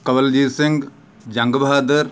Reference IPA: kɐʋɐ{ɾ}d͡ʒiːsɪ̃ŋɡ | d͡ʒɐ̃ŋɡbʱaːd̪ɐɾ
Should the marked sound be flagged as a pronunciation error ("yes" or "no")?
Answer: yes